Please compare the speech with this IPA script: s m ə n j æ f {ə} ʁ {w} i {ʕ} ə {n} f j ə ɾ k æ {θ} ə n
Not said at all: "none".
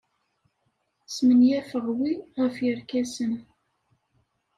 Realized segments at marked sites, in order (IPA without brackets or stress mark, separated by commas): ə, w, ʁ, none, s